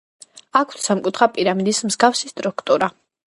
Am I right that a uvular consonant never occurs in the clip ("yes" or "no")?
no